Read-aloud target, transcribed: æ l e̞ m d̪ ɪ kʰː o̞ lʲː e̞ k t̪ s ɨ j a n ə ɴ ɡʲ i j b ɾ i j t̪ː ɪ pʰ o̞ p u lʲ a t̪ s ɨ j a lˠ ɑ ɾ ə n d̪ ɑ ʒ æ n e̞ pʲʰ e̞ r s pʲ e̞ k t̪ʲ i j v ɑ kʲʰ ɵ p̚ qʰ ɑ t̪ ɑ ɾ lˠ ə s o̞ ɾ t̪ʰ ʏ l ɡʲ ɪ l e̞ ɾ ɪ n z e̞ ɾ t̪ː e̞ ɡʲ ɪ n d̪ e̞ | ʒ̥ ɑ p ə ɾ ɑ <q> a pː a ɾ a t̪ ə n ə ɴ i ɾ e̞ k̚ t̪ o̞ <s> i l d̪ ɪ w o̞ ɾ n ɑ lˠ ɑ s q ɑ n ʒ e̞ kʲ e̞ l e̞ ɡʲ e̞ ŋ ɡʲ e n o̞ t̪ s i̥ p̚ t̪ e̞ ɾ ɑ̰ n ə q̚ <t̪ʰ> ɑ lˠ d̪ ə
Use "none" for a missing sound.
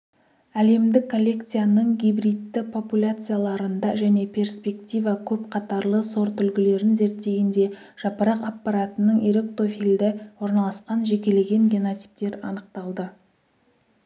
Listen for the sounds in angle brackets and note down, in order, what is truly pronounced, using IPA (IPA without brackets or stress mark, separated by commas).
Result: q, f, t̪